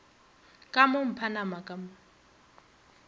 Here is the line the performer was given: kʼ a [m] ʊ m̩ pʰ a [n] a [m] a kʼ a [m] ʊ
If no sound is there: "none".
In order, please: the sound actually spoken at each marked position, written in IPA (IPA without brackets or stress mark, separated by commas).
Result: m, n, m, m